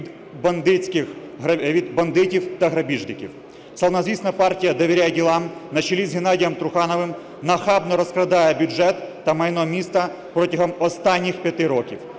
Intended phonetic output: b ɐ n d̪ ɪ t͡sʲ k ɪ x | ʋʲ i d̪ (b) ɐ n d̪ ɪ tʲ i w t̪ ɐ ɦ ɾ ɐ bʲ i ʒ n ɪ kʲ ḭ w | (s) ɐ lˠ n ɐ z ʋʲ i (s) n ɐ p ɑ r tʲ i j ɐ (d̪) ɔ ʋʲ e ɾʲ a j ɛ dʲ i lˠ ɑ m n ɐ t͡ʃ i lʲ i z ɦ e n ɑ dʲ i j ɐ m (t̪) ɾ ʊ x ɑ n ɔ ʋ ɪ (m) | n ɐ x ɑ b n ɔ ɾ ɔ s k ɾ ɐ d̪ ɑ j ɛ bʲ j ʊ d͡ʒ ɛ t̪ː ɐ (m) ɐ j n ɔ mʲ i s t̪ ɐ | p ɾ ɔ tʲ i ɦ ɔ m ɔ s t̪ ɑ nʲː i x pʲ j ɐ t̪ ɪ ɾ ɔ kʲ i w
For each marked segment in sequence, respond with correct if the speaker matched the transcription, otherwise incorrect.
correct, correct, correct, correct, correct, correct, correct

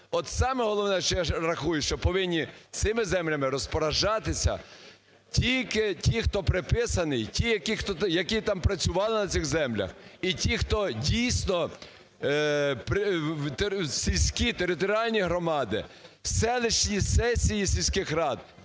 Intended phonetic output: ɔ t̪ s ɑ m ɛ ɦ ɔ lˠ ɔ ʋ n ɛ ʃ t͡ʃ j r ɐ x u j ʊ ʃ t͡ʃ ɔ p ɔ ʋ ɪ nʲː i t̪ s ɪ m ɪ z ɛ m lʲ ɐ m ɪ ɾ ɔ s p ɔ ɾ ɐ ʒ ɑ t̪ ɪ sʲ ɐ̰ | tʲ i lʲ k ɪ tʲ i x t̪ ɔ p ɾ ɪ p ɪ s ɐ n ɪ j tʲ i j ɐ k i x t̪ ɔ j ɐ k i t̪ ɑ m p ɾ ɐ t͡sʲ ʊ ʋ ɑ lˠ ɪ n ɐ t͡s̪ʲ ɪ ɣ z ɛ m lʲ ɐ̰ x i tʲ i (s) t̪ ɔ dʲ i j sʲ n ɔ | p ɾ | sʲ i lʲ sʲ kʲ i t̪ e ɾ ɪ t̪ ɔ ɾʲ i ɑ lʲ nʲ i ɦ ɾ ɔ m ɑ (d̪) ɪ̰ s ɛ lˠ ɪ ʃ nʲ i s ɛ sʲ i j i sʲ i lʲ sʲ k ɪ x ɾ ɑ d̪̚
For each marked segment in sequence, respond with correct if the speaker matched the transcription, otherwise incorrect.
incorrect: x, correct

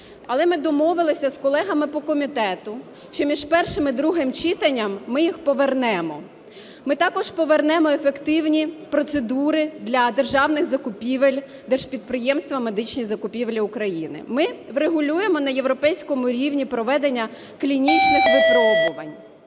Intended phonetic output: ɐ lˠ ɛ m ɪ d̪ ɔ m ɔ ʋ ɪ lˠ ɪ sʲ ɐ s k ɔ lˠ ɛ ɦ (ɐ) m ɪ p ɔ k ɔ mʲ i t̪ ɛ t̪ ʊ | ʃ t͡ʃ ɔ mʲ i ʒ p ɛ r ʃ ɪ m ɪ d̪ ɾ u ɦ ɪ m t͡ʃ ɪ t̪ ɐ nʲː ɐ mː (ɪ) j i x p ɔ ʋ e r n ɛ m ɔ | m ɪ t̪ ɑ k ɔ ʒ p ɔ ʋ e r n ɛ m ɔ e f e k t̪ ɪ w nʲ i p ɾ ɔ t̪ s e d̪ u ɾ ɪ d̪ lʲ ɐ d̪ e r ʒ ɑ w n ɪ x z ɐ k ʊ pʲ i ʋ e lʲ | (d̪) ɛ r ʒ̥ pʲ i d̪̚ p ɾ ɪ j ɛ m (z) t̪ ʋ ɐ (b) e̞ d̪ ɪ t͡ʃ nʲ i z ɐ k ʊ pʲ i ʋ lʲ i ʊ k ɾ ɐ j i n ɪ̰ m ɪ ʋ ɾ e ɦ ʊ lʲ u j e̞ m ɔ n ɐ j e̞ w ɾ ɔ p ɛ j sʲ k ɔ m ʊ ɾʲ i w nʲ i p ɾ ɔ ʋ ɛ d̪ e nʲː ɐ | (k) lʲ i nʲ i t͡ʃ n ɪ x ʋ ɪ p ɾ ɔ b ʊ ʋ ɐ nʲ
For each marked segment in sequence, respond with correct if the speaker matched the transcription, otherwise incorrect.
correct, correct, correct, incorrect: s, incorrect: m, correct

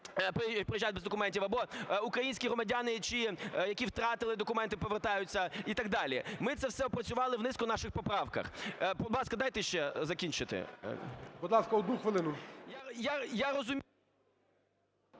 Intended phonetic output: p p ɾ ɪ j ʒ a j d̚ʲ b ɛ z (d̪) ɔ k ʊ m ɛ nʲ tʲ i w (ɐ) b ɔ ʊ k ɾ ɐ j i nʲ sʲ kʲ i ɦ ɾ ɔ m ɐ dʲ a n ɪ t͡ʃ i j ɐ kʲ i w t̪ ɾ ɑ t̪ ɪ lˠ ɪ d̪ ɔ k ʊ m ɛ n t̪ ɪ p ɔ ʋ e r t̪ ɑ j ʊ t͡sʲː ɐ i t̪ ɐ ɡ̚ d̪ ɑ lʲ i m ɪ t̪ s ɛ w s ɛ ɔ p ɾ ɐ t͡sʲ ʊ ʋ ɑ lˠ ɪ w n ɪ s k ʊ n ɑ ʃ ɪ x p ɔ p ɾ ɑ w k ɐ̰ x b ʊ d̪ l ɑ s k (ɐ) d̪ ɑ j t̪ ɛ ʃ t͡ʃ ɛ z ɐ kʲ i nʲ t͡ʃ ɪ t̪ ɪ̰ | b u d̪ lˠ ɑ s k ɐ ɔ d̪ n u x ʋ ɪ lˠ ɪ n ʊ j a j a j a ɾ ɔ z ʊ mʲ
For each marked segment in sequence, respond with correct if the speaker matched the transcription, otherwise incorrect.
correct, correct, correct

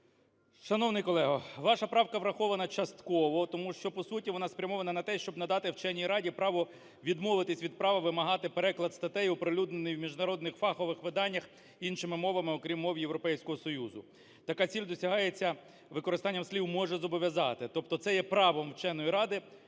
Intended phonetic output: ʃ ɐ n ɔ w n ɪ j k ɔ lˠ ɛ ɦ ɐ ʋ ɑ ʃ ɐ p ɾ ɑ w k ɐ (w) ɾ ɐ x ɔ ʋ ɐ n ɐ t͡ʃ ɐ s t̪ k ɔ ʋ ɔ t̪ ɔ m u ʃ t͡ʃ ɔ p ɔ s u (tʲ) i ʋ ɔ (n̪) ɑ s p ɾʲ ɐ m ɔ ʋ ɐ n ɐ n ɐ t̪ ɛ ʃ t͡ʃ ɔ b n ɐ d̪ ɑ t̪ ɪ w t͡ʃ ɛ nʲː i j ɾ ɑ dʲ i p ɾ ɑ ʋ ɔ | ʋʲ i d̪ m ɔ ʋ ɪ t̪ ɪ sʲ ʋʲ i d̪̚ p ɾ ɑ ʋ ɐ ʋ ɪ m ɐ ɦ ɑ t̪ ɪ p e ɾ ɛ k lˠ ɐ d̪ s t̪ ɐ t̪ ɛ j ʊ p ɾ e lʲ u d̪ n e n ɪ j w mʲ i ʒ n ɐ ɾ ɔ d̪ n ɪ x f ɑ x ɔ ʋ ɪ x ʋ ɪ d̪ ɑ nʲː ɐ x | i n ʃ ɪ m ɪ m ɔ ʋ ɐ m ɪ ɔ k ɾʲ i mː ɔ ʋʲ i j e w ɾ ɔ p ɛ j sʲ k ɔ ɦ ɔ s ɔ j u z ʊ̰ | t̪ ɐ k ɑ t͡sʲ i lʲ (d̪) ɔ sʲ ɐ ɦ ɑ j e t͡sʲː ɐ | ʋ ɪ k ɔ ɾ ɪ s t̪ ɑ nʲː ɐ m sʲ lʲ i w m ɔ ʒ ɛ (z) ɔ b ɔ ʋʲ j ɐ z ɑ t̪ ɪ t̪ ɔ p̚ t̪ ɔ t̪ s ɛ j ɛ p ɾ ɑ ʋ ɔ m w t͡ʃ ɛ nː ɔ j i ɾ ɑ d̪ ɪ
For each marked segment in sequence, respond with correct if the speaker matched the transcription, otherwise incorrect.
incorrect: ʋ, correct, correct, correct, correct

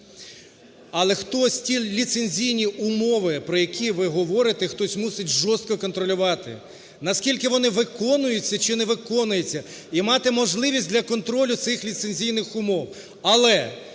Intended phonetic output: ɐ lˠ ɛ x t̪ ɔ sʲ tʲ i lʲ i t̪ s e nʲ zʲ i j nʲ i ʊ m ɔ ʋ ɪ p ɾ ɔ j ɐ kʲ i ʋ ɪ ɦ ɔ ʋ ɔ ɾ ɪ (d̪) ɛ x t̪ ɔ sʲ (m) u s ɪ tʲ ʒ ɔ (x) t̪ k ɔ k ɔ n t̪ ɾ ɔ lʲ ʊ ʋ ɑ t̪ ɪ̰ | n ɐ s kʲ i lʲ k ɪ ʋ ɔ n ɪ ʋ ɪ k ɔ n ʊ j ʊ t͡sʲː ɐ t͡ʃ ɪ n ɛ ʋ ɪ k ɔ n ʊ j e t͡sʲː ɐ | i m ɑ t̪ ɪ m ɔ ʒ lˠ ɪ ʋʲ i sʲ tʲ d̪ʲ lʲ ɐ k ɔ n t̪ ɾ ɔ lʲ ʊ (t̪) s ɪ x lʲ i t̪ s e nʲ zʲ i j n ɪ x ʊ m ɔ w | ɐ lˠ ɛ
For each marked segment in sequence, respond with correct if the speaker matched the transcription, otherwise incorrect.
incorrect: t̪, correct, incorrect: s, correct

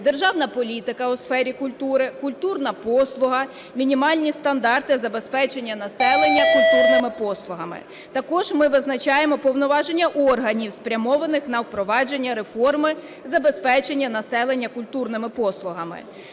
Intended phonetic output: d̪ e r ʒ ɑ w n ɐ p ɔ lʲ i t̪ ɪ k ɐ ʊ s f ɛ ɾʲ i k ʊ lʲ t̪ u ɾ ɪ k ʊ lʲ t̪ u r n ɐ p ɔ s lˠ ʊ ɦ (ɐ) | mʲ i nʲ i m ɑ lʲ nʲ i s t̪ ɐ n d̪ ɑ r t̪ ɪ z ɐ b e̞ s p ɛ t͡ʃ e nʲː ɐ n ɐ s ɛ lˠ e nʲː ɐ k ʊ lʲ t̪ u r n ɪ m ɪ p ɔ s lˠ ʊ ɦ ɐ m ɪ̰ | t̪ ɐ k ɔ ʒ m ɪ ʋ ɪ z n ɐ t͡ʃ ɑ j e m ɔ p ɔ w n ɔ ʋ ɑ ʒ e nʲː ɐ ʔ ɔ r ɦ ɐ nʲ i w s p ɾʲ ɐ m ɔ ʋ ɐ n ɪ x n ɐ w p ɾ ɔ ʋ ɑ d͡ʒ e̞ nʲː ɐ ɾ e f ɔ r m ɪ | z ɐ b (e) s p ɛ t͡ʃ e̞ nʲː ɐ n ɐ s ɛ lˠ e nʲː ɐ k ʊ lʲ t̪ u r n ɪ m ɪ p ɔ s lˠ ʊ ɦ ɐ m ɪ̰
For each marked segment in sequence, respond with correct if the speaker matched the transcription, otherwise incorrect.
correct, correct

